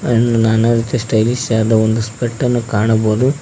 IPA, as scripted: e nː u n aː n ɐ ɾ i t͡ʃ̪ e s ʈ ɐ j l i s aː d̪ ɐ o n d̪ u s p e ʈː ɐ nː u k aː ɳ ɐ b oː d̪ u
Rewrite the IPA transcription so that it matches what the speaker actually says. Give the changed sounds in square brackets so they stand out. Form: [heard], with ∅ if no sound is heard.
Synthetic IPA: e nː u n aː n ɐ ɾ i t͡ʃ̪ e s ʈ ɐ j l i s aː d̪ ɐ o n d̪ u s p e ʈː ɐ nː u k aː ɳ ɐ b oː d̪ u